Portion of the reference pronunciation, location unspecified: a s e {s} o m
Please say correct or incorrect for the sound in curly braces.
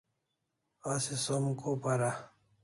correct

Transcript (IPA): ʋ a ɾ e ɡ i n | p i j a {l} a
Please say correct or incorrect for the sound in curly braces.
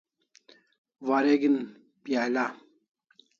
correct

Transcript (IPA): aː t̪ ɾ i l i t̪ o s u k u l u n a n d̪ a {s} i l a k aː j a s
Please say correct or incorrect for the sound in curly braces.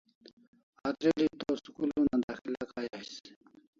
incorrect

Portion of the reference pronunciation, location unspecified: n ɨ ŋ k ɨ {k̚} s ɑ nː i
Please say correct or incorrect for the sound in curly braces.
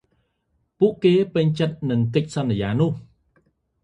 incorrect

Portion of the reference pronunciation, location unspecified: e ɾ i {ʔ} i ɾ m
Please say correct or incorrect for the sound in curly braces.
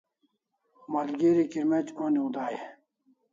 incorrect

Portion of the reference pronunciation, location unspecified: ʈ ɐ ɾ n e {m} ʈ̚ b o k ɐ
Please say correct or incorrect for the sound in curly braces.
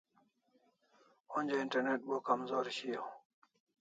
incorrect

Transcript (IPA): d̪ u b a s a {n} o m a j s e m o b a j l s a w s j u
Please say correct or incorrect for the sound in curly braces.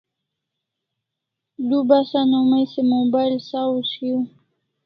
correct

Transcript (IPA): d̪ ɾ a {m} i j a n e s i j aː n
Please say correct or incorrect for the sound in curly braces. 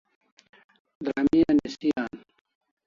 correct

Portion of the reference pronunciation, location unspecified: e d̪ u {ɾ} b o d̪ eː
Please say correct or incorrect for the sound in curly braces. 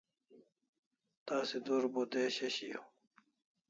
correct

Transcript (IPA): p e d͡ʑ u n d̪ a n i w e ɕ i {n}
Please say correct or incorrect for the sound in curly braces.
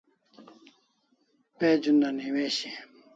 incorrect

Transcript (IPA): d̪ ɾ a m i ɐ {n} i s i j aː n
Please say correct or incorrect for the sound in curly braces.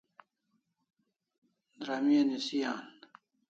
correct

